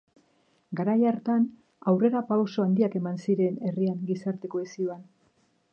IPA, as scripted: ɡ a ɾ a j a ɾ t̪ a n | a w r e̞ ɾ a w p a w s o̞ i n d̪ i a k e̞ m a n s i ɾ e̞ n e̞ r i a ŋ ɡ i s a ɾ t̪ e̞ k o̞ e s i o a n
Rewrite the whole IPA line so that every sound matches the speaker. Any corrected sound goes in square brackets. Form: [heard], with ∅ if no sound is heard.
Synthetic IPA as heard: ɡ a ɾ a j a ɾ t̪ a n | a w r e̞ ɾ a [∅] p a w s o̞ [a] n d̪ i a k e̞ m a n s i ɾ e̞ n e̞ r i a ŋ ɡ i s a ɾ t̪ e̞ k o̞ e s i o a n

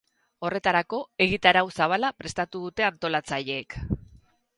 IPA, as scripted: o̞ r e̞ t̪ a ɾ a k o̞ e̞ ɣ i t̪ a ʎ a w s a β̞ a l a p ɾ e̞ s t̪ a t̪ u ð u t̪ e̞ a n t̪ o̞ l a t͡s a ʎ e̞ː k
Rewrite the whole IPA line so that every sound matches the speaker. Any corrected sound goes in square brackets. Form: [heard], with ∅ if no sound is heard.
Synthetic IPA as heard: o̞ r e̞ t̪ a ɾ a k o̞ e̞ ɣ i t̪ a [ɾ] a w s a β̞ a l a p ɾ e̞ s t̪ a t̪ u ð u t̪ e̞ a n t̪ o̞ l a t͡s a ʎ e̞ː k

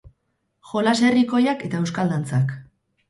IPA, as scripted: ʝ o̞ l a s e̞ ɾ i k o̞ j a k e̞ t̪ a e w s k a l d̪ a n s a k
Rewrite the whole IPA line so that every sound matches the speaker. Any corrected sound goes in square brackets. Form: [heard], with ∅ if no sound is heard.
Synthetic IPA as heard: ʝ o̞ l a s e̞ [r] i k o̞ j a k e̞ t̪ a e w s k a l d̪ a n [t͡s] a k

